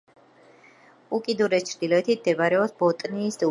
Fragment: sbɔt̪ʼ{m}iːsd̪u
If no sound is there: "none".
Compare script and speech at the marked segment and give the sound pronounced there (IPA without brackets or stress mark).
n